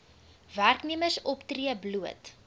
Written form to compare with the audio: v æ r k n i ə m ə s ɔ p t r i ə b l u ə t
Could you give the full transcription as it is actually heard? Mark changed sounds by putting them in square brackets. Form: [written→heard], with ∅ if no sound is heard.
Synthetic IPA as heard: v æ r k n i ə m ə s ɔ p t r i ə b l u ə t